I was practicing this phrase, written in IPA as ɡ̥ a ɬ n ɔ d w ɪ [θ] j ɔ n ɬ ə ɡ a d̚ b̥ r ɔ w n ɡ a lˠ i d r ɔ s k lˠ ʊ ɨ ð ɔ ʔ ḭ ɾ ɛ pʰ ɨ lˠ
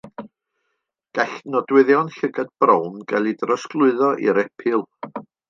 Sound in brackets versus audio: incorrect: ð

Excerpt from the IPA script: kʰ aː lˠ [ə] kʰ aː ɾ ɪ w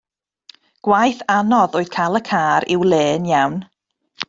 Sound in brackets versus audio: correct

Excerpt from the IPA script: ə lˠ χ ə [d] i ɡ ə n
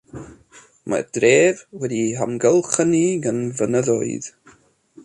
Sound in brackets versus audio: incorrect: n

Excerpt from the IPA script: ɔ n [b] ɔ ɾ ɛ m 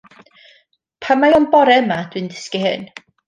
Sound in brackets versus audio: correct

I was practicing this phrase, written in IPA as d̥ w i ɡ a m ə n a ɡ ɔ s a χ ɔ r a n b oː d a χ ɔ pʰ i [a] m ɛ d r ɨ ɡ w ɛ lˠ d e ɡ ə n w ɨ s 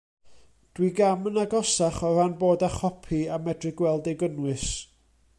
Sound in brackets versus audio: correct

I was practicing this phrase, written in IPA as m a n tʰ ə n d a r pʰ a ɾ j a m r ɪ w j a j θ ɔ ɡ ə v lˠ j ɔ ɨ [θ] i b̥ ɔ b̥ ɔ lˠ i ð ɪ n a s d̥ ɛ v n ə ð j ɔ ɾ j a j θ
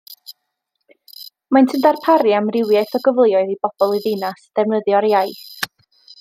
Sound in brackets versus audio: incorrect: ð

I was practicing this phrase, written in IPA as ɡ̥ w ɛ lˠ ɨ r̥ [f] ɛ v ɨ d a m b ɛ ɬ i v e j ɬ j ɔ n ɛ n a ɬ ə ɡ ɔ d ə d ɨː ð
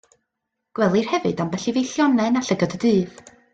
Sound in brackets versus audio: incorrect: h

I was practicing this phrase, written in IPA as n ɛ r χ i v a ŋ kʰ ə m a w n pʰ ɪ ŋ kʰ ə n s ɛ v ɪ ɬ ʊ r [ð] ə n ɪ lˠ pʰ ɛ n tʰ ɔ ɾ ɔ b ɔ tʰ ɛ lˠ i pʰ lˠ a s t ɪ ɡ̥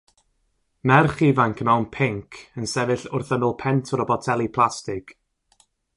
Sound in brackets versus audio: incorrect: θ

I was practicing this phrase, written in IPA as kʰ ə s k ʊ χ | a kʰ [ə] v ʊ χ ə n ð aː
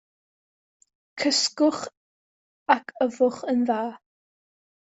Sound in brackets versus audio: correct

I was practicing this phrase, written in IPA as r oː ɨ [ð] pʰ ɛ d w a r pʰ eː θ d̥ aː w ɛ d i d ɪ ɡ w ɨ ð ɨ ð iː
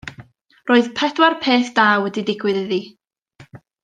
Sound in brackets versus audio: correct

